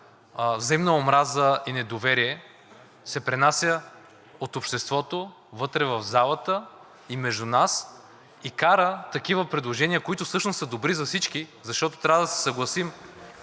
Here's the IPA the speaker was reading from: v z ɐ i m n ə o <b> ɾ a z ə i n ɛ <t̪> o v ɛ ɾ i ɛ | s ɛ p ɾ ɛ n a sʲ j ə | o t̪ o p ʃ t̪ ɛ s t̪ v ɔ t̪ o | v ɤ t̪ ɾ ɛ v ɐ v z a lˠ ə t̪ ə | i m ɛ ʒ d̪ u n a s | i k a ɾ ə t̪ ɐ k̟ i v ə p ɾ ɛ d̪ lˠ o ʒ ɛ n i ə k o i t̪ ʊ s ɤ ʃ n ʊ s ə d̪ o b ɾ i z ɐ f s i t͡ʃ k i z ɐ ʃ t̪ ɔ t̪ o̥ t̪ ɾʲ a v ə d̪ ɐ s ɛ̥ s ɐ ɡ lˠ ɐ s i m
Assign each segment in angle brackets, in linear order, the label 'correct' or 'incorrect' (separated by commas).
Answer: incorrect, incorrect